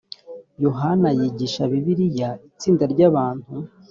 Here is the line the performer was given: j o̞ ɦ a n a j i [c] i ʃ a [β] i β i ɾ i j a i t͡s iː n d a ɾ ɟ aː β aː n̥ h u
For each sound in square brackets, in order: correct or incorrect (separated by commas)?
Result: incorrect, correct